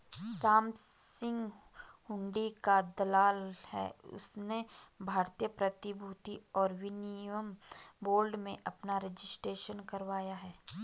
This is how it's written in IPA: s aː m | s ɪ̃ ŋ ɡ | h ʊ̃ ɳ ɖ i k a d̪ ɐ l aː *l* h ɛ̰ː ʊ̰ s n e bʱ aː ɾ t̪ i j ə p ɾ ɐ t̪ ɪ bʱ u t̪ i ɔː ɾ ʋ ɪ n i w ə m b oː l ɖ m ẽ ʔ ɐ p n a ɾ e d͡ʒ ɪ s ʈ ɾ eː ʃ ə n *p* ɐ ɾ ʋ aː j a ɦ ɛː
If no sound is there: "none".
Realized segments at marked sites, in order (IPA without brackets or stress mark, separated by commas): l, k